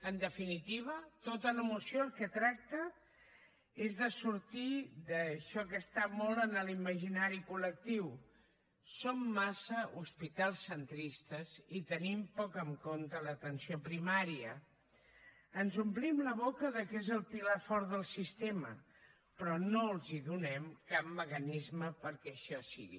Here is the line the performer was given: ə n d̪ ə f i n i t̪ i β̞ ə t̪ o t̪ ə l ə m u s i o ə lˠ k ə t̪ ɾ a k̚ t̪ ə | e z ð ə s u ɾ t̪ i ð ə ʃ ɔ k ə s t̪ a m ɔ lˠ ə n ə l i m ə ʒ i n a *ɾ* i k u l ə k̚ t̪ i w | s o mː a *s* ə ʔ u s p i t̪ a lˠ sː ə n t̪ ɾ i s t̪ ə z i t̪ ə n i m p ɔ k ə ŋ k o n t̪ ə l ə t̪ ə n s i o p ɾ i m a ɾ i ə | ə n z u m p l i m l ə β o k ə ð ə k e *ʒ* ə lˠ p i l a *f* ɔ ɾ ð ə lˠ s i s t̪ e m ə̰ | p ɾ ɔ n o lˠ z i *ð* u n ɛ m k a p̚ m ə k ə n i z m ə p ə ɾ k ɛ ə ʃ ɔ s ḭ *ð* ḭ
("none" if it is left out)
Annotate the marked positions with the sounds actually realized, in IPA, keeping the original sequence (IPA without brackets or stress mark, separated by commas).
ɾ, s, z, f, ð, ɣ